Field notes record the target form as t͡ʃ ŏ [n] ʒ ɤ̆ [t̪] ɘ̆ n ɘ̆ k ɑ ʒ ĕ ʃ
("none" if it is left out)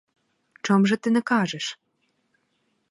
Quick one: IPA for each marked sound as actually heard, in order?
m, t̪

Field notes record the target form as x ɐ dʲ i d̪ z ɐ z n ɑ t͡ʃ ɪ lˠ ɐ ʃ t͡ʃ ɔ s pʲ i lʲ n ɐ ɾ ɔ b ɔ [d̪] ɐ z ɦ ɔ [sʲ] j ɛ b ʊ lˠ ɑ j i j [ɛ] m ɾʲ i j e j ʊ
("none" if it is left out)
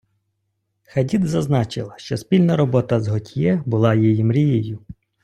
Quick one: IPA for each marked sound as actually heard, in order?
t̪, tʲ, i

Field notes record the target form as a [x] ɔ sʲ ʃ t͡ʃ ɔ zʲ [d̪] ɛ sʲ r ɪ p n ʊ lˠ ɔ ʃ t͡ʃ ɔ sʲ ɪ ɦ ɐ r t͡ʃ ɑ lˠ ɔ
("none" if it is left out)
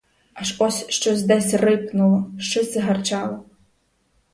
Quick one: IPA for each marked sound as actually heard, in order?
ʃ, d̪

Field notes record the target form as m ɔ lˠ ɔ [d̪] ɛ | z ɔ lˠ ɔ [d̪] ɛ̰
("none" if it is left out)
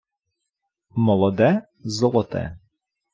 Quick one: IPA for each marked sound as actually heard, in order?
d̪, t̪

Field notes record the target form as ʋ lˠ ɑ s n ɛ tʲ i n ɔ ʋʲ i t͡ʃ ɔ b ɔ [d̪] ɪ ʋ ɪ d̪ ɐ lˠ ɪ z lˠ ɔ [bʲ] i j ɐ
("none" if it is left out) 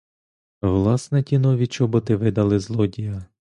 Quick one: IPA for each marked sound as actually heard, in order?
t̪, dʲ

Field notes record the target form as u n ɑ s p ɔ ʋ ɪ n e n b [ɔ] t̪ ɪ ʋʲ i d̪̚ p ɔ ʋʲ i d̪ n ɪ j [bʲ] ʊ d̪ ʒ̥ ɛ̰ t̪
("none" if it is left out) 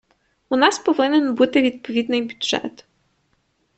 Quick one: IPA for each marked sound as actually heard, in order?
u, bʲ

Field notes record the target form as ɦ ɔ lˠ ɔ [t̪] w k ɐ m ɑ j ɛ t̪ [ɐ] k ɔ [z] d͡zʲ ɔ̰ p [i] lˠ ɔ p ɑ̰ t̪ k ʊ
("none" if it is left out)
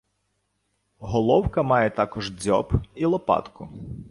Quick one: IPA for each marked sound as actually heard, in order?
none, ɑ, ʒ, i

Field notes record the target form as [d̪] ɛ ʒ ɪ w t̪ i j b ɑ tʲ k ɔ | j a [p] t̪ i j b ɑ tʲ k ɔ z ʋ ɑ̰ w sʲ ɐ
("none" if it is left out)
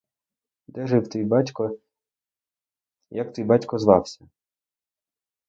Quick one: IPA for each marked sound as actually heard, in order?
d̪, k

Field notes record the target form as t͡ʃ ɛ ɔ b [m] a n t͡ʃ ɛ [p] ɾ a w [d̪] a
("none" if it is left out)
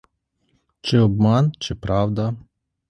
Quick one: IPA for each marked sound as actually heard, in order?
m, p, d̪

